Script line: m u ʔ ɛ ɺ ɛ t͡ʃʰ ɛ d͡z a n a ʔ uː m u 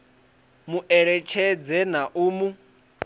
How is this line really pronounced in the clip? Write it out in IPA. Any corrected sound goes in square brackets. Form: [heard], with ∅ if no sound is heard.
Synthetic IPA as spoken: m u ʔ ɛ ɺ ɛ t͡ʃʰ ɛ d͡z [ɛ] n a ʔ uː m u